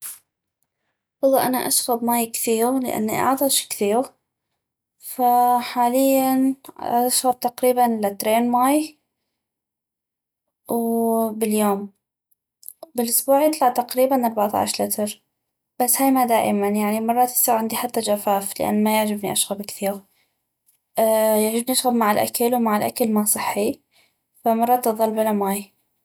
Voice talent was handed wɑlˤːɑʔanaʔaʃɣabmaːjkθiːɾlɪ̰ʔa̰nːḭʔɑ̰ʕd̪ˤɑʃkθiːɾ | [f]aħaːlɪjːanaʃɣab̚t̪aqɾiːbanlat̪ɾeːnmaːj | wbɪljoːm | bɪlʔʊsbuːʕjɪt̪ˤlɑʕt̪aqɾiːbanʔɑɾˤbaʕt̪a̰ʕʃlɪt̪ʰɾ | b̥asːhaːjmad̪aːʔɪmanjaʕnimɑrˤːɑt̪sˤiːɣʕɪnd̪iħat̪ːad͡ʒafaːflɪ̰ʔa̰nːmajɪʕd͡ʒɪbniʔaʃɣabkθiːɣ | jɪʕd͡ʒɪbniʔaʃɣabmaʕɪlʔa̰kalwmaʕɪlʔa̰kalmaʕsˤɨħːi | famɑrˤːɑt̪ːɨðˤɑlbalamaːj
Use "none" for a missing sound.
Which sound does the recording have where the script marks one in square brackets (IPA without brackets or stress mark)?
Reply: f